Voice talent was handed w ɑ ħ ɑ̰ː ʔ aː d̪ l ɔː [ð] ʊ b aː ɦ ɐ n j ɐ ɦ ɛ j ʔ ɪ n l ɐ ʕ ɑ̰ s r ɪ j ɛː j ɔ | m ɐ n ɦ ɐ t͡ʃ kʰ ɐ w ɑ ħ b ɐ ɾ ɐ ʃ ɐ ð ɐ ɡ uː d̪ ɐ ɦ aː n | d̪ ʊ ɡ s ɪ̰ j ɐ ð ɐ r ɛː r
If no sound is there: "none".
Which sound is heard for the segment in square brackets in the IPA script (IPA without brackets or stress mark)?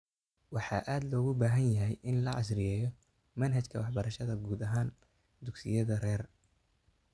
ɣ